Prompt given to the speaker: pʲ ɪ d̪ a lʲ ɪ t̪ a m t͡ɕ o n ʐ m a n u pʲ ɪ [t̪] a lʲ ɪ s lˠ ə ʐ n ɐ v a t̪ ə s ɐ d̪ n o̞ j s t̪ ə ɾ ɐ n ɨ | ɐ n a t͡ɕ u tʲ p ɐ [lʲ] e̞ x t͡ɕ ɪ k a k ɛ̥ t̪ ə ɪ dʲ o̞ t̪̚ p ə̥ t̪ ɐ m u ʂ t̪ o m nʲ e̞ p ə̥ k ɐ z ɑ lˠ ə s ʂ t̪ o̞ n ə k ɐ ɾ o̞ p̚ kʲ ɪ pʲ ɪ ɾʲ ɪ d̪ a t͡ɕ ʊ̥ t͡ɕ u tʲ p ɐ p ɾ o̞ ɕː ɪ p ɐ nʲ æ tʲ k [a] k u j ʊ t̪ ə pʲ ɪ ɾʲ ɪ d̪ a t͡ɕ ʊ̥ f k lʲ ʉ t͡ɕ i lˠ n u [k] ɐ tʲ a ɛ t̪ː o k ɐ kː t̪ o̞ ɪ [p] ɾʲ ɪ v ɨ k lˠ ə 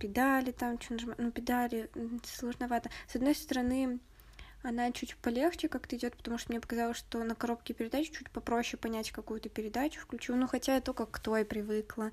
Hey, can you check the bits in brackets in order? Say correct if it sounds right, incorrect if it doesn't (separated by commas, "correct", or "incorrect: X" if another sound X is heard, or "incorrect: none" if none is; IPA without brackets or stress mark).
incorrect: d̪, correct, incorrect: ɐ, incorrect: x, correct